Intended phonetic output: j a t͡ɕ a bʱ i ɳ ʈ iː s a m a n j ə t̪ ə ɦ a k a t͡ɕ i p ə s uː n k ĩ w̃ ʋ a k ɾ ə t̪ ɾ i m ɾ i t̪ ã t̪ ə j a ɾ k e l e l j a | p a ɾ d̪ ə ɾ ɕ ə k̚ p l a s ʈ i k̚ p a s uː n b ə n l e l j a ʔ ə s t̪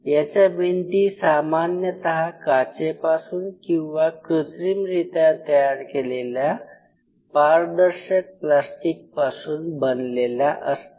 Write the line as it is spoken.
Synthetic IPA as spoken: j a t͡ɕ a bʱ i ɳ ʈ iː s a m a n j ə t̪ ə ɦ a k a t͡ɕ e p a s uː n k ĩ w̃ ʋ a k ɾ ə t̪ ɾ i m ɾ i t̪ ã t̪ ə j a ɾ k e l e l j a | p a ɾ d̪ ə ɾ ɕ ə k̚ p l a s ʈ i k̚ p a s uː n b ə n l e l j a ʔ ə s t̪